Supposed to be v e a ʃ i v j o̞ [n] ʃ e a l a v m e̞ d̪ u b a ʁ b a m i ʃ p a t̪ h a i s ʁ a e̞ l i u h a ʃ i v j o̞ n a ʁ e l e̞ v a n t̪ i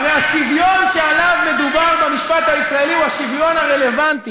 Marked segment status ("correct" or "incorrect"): correct